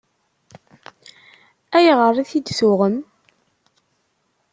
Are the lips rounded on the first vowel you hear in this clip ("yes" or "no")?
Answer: no